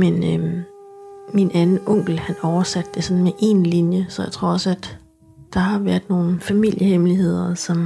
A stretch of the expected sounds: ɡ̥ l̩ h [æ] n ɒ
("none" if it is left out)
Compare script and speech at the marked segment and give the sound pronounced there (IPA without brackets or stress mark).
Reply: æ